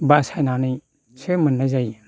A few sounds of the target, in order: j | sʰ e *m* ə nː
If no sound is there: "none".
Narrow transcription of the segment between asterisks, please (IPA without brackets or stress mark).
m